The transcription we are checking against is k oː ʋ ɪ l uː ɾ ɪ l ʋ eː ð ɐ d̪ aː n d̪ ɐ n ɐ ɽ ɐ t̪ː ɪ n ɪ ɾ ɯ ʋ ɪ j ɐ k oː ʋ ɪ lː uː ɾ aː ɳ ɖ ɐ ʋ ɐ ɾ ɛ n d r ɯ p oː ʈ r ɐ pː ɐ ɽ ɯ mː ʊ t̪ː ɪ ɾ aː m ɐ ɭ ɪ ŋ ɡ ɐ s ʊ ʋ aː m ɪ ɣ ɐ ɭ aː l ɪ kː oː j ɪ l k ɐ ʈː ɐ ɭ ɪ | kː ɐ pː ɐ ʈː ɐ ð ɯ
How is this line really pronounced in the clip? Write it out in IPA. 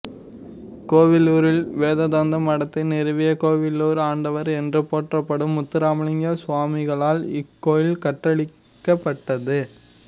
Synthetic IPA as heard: k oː ʋ ɪ l uː ɾ ɪ l ʋ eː ð ɐ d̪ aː n d̪ ɐ m ɐ ɽ ɐ t̪ː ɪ n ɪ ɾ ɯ ʋ ɪ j ɐ k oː ʋ ɪ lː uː ɾ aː ɳ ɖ ɐ ʋ ɐ ɾ ɛ n d r ɯ p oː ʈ r ɐ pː ɐ ɽ ɯ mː ʊ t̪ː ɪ ɾ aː m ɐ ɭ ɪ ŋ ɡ ɐ s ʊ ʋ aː m ɪ ɣ ɐ ɭ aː l ɪ kː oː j ɪ l k ɐ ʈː ɐ ɭ ɪ | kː ɐ pː ɐ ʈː ɐ ð ɯ